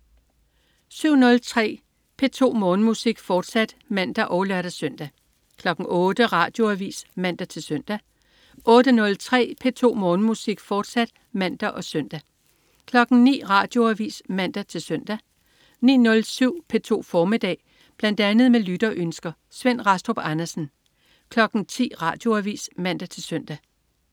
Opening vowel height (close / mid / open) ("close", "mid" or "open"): close